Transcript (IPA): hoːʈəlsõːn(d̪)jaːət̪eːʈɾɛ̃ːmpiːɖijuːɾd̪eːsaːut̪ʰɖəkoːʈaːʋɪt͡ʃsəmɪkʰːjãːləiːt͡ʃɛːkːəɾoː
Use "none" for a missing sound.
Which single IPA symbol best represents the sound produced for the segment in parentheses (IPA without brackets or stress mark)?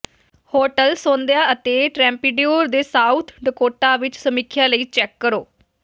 d̪